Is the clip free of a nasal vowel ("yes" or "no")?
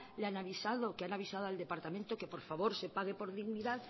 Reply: yes